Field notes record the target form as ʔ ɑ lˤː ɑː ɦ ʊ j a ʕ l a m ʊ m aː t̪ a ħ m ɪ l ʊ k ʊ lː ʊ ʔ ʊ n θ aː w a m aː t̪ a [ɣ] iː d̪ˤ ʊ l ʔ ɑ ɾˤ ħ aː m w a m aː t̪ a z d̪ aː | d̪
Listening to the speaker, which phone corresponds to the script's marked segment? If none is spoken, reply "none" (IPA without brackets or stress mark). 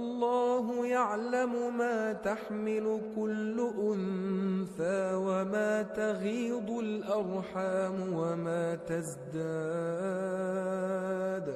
ɣ